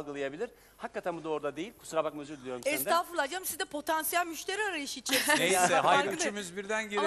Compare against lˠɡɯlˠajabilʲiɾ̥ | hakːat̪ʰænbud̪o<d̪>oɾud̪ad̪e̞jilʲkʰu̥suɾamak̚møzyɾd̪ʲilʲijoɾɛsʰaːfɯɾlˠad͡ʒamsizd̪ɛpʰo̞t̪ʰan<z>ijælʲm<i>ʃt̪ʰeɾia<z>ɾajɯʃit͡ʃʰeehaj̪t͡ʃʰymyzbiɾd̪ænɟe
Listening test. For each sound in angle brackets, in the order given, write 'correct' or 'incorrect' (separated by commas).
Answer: incorrect, incorrect, incorrect, incorrect